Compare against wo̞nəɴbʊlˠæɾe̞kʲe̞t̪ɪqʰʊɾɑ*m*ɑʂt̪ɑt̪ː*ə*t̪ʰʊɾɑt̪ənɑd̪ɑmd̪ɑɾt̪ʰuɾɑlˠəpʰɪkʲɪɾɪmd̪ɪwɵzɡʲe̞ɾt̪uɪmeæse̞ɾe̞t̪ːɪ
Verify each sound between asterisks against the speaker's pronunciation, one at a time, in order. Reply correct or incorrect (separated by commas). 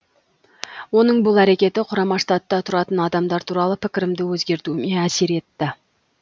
correct, incorrect